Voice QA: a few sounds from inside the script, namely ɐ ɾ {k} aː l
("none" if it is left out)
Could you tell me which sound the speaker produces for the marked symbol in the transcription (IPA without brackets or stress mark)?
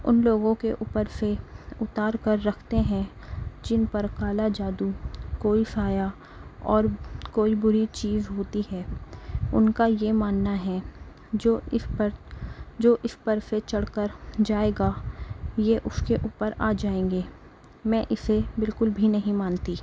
k